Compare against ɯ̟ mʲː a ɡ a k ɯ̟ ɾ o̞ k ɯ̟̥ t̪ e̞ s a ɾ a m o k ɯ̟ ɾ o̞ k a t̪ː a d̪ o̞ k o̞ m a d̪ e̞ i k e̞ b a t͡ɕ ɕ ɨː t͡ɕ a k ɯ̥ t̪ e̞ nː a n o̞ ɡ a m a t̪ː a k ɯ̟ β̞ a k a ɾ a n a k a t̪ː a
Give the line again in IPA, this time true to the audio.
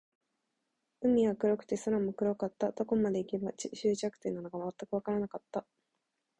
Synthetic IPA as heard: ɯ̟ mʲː i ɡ a k ɯ̟ ɾ o̞ k ɯ̟̥ t̪ e̞ s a ɾ a m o k ɯ̟ ɾ o̞ k a t̪ː a d̪ o̞ k o̞ m a d̪ e̞ i k e̞ b a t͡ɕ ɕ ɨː t͡ɕ a k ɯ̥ t̪ e̞ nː a n o̞ ɡ a m a t̪ː a k ɯ̟ β̞ a k a ɾ a n a k a t̪ː a